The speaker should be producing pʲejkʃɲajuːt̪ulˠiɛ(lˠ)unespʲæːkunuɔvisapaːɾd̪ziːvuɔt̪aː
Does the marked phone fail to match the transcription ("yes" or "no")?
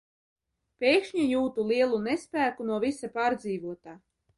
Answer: no